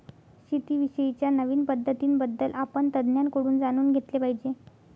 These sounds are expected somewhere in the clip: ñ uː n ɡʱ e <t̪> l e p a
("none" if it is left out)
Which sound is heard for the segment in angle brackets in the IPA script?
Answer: t̪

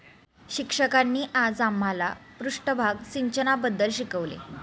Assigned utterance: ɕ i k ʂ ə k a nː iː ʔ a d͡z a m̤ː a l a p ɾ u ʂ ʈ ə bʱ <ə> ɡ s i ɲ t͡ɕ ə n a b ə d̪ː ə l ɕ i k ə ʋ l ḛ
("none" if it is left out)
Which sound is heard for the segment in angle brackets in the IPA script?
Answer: a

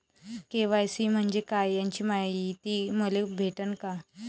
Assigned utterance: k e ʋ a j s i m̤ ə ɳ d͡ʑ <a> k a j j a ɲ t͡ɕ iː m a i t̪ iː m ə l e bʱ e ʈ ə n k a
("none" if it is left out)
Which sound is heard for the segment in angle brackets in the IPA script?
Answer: e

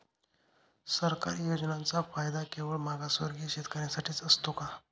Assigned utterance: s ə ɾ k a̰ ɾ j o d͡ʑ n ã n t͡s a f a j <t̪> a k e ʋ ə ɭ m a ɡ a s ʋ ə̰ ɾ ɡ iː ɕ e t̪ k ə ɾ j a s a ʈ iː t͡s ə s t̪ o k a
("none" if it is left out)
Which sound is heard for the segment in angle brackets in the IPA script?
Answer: d̪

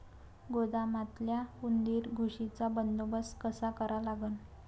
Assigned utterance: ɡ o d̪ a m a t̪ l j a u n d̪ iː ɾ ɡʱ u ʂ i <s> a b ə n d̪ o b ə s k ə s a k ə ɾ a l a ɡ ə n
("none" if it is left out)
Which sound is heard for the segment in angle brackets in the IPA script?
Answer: t͡s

